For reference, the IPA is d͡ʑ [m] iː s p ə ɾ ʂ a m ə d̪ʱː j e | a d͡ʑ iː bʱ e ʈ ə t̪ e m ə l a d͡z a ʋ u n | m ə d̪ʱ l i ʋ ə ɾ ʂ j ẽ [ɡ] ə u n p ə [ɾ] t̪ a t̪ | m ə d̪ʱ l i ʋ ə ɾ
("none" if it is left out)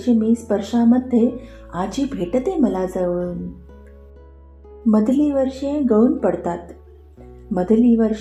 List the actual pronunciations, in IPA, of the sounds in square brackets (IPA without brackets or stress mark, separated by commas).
m, ɡ, ɽ